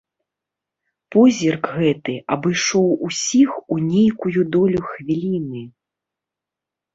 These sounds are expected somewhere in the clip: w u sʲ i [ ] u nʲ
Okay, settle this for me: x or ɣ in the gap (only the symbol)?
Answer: x